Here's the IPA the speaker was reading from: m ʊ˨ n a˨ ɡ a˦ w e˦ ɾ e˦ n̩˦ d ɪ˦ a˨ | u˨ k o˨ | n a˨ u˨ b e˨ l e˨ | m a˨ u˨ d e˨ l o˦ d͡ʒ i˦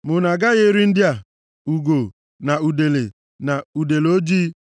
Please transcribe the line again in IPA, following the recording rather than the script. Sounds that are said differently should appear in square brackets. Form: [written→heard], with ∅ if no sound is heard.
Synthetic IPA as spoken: m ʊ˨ n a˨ ɡ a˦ [w→ɣ] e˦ ɾ [e˦→i˦] n̩˦ d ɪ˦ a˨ | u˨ [k→ɡ] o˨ | n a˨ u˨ [b→d] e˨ l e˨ | [m→n] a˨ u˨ d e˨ l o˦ d͡ʒ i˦